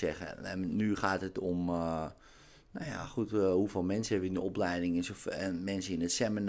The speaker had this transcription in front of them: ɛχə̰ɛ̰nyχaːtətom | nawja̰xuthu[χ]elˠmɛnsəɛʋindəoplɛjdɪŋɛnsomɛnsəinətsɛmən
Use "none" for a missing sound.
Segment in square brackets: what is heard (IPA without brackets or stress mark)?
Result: f